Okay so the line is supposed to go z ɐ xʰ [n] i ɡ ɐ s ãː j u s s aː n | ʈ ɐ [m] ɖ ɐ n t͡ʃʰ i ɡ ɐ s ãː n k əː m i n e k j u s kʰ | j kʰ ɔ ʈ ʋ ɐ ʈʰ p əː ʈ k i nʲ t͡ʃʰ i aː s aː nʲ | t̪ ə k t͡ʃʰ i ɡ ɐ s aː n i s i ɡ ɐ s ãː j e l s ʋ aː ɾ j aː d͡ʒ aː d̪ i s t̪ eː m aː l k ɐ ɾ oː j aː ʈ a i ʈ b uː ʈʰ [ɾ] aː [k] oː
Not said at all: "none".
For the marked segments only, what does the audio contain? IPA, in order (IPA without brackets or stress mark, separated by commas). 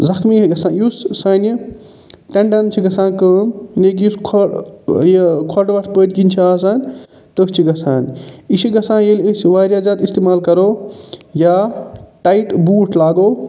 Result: m, ɳ, l, ɡ